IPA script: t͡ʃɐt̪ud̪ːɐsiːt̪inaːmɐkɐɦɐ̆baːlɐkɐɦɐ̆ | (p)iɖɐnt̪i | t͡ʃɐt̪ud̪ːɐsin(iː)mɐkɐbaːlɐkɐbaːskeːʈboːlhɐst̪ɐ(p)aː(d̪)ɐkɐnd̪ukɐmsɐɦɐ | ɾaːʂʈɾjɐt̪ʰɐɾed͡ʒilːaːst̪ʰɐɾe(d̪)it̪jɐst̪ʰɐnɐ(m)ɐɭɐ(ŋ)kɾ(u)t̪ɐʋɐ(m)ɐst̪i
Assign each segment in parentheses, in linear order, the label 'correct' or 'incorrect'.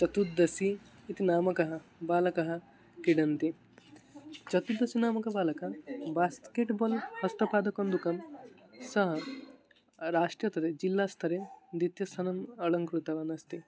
incorrect: k, incorrect: aː, correct, correct, correct, correct, correct, correct, incorrect: n

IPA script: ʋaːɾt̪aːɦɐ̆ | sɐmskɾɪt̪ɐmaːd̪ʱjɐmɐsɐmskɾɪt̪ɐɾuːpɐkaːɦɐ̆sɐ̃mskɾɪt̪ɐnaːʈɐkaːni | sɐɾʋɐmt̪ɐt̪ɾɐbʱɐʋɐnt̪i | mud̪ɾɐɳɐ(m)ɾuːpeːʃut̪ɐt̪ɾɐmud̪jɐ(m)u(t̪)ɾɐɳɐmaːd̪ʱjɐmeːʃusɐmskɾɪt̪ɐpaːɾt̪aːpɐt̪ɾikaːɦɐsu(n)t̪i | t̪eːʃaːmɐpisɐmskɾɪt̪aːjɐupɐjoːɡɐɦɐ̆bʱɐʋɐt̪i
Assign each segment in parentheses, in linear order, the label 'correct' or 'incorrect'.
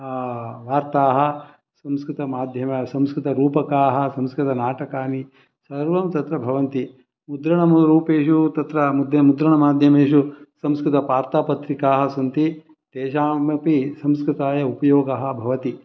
correct, correct, incorrect: d̪, correct

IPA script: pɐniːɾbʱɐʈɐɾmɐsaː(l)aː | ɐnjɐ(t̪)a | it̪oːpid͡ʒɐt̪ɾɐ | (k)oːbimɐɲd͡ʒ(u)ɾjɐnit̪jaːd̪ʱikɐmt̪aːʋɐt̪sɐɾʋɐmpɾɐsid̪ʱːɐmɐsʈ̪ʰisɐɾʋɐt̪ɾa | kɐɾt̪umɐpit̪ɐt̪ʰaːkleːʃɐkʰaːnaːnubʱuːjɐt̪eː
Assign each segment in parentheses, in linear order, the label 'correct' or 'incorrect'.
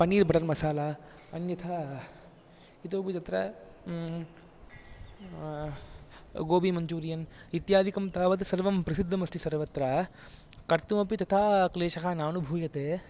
correct, incorrect: t̪ʰ, incorrect: ɡ, incorrect: uː

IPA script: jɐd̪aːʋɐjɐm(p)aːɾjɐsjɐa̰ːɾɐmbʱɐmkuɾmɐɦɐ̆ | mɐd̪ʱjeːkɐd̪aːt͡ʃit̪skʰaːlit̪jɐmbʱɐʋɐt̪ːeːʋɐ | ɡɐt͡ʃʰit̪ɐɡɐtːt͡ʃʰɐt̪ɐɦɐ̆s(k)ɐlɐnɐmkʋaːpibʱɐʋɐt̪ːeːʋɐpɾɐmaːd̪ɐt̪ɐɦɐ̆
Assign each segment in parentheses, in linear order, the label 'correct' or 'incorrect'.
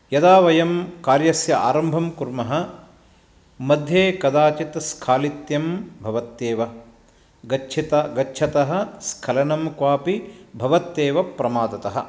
incorrect: k, incorrect: kʰ

